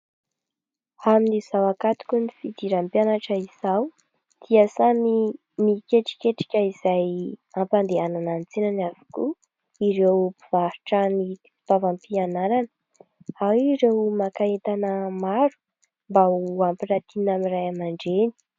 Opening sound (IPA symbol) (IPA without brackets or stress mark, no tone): a